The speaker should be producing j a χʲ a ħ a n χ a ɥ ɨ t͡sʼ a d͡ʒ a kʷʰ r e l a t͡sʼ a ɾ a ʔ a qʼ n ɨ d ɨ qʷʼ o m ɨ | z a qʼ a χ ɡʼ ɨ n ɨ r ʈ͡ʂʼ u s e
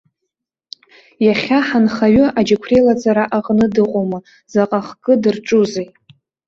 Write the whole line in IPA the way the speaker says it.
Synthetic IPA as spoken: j a χʲ a ħ a n χ a ɥ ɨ a d͡ʒ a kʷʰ r e l a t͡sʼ a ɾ a ʔ a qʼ n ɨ d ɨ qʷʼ o m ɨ | z a qʼ a χ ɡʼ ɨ d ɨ r ʈ͡ʂʼ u z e